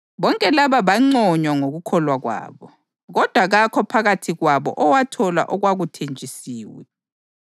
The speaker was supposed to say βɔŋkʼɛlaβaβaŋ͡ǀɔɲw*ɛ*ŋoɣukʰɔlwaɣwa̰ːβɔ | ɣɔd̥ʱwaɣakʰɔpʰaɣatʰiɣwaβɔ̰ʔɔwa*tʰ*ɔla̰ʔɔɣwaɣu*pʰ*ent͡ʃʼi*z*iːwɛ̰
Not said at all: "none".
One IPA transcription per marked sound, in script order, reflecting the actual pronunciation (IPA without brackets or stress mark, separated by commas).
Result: a, tʰ, tʰ, s